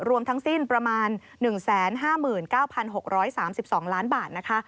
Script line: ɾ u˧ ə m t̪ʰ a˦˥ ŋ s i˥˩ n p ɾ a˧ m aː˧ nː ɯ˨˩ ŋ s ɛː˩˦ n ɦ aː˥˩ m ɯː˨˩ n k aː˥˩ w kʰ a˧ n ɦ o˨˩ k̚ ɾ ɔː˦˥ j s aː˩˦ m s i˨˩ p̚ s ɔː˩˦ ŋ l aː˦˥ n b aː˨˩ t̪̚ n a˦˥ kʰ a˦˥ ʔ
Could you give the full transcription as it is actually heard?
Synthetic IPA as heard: ɾ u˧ ə m t̪ʰ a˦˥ ŋ s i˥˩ n p ɾ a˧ m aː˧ nː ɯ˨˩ ŋ s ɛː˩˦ n ɦ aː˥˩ m ɯː˨˩ n k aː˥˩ w pʰ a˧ n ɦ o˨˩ k̚ ɾ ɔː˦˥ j s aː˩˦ m s i˨˩ p̚ s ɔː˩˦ ŋ l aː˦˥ n b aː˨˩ t̪̚ n a˦˥ kʰ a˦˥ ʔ